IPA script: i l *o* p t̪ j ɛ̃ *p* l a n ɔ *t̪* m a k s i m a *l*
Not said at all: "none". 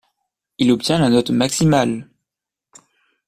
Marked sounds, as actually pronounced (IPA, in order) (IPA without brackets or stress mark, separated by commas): ɔ, none, t̪, l